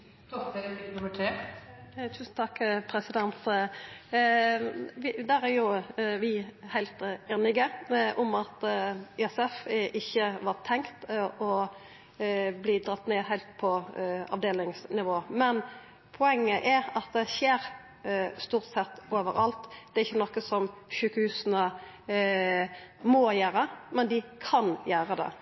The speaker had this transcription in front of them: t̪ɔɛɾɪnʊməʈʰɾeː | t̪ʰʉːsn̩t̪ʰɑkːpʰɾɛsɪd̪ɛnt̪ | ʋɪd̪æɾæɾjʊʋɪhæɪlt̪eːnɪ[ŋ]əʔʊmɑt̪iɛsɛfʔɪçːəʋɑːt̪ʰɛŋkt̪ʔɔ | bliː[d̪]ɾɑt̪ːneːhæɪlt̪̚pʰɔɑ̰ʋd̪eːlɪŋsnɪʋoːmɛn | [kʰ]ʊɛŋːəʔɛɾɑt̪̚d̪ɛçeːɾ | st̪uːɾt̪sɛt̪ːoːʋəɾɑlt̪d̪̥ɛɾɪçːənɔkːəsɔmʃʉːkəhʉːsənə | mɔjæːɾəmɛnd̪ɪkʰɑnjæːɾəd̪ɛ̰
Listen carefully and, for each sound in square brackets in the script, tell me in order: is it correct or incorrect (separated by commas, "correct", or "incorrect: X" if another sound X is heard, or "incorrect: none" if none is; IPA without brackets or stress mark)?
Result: incorrect: ɡ, correct, incorrect: pʰ